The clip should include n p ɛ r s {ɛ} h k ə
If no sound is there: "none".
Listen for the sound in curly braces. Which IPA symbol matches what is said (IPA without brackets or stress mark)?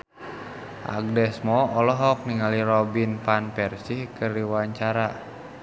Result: i